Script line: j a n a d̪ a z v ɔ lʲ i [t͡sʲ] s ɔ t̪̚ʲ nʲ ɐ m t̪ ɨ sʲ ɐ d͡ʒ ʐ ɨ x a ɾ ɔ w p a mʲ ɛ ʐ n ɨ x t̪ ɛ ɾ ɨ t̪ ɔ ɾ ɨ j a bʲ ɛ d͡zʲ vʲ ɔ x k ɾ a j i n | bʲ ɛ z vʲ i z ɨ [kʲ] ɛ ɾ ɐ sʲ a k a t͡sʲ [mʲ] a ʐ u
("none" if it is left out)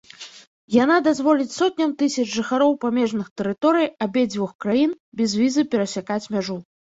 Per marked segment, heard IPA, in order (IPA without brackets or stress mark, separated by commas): t͡sʲ, pʲ, mʲ